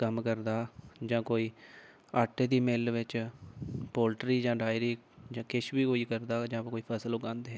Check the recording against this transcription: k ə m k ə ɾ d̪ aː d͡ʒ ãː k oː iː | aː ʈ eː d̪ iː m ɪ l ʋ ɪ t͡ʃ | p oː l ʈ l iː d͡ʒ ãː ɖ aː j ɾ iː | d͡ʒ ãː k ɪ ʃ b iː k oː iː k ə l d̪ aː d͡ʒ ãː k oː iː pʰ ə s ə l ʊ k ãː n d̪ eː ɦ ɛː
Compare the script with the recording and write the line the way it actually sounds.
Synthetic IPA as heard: k ə m k ə ɾ d̪ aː d͡ʒ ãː k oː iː | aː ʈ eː d̪ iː m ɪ l ʋ ɪ t͡ʃ | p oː l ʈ ɾ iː d͡ʒ ãː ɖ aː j ɾ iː | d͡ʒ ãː k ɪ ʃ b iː k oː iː k ə ɾ d̪ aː d͡ʒ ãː k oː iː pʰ ə s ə l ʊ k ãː n d̪ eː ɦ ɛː